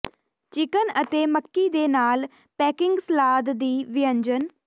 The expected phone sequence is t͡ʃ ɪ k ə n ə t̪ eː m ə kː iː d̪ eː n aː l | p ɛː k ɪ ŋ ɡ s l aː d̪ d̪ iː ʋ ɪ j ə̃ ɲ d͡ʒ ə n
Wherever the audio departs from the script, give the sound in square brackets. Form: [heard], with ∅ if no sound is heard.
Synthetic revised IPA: t͡ʃ ɪ k ə n ə t̪ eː m ə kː iː d̪ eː n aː l | p ɛː k ɪ ŋ ɡ s l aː d̪ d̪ iː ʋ ɪ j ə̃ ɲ d͡ʒ ə n